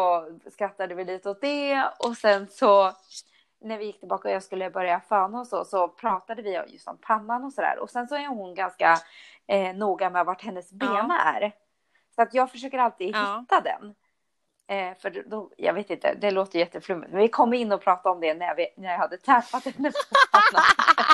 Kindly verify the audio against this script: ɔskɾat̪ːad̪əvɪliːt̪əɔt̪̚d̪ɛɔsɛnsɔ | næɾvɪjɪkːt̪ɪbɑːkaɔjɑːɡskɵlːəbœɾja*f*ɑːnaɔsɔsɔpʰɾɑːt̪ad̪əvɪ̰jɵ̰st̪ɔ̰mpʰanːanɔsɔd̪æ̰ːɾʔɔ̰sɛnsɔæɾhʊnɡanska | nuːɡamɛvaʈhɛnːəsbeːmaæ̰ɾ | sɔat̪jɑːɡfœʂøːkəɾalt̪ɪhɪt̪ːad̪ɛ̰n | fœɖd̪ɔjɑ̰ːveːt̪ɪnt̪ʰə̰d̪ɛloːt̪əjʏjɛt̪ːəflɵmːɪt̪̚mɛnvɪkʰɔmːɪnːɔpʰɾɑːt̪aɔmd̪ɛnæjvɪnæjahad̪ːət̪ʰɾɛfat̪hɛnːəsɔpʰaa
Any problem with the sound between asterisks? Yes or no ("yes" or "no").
no